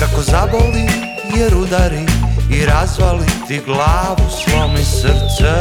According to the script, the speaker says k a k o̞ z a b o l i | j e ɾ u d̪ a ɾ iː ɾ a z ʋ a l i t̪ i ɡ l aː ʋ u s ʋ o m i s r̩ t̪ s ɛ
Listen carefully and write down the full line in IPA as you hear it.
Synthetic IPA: k a k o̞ z a b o l i | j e ɾ u d̪ a ɾ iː ɾ a z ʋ a l i t̪ i ɡ l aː ʋ u s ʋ o m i s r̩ t̪ s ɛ